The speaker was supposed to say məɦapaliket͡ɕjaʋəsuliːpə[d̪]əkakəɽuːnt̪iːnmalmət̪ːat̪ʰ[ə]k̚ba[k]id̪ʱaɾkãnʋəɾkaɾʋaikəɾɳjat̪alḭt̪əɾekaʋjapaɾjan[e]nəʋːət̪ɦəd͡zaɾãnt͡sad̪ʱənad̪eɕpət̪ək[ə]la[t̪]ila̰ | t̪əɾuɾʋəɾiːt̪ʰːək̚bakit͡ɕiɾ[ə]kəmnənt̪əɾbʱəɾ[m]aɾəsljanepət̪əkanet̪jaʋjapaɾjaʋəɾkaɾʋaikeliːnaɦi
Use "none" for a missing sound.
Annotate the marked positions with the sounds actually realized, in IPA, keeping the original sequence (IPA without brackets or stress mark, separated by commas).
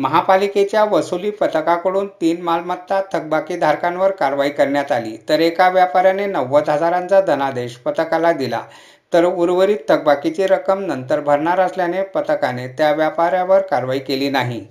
t̪, ə, k, e, a, d̪, ə, ɳ